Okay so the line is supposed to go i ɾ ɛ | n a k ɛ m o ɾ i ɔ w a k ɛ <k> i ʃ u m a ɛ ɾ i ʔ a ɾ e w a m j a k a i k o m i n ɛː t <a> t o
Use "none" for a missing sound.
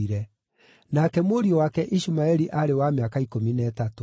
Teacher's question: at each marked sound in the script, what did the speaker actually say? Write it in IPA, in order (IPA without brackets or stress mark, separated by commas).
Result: ʔ, a